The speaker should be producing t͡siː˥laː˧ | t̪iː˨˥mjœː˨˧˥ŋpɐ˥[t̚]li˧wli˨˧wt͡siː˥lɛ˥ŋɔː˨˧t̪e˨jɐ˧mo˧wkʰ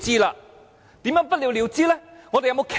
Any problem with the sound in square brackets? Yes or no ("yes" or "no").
no